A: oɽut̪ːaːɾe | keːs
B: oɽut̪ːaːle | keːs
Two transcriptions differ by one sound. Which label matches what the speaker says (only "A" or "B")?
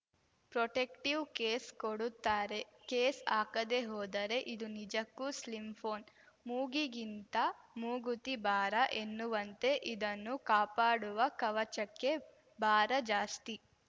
A